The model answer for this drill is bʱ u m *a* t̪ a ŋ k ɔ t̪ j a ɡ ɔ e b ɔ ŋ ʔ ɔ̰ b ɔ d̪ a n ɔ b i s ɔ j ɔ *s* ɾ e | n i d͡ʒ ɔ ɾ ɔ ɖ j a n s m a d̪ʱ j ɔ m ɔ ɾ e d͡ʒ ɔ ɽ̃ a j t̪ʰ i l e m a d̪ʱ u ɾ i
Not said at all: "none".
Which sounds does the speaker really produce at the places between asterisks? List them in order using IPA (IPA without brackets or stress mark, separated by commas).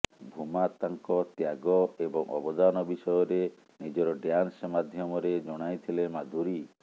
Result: a, none